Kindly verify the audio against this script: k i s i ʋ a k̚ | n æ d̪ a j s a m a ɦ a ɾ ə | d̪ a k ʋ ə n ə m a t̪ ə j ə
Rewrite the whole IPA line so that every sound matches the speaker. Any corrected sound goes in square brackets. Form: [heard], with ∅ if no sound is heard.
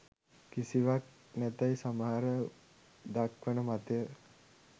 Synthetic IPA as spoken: k i s i ʋ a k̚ | n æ [t̪] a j s a m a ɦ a ɾ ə | d̪ a k ʋ ə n ə m a t̪ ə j ə